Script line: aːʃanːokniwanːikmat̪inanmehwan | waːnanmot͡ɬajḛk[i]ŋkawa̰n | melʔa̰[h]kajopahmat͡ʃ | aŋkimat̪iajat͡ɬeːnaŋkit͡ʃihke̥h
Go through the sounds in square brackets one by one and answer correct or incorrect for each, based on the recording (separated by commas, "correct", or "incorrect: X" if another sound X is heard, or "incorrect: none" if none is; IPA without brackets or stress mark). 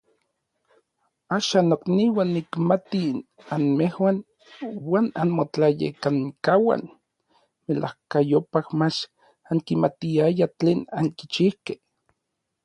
incorrect: a, correct